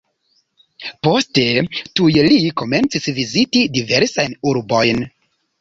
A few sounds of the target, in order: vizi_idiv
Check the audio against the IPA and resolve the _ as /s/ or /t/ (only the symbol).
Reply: t